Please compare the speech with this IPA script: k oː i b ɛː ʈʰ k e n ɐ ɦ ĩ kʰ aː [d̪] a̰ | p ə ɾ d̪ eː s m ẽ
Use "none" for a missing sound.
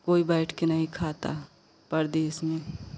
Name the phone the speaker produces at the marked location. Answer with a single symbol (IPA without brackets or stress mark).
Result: t̪